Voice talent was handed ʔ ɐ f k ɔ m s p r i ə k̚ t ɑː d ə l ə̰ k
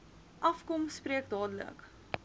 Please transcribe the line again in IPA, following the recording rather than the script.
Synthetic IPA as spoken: ʔ ɐ f k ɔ m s p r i ə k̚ d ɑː d ə l ə̰ k

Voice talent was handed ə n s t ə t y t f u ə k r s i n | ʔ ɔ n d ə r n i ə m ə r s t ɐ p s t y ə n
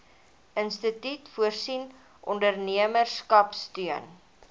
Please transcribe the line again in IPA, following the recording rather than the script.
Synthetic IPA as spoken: ə n s t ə t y t f u ə r s i n | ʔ ɔ n d ə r n i ə m ə r s k ɐ p s t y ə n

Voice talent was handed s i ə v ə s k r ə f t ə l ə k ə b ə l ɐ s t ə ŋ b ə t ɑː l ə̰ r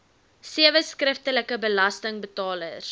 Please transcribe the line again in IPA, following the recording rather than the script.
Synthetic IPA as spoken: s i ə v ə s k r ə f t ə l ə k ə b ə l ɐ s t ə ŋ b ə t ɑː l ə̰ r

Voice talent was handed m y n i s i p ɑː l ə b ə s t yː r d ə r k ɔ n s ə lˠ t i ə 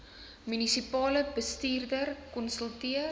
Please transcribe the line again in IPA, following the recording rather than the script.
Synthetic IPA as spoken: m y n i s i p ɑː l ə b ə s t iː r d ə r k ɔ n s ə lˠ t i ə

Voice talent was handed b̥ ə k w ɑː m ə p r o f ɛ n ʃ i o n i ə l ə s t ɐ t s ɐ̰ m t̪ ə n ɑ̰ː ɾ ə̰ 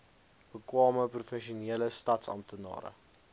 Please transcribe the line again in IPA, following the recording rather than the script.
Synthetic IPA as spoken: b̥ ə k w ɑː m ə p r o f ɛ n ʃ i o n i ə l ə s t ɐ t s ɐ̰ m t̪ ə n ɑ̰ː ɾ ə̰

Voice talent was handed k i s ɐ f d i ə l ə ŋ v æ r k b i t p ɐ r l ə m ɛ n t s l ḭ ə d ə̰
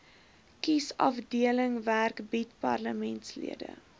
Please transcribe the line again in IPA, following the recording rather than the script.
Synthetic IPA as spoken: k i s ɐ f d i ə l ə ŋ v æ r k b i t p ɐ r l ə m ɛ n t s l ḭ ə d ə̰

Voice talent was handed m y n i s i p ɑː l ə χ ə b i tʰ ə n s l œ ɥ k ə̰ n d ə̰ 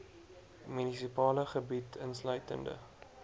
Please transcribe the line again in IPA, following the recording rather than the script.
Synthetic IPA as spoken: m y n i s i p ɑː l ə χ ə b i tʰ ə n s l œ ɥ t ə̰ n d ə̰

